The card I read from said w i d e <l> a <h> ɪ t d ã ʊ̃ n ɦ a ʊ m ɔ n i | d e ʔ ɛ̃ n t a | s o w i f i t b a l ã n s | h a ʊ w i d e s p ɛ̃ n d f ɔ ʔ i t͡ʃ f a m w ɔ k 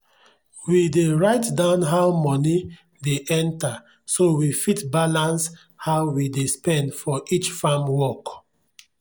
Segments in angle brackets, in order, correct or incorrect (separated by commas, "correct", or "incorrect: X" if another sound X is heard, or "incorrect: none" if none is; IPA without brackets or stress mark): incorrect: ɹ, incorrect: none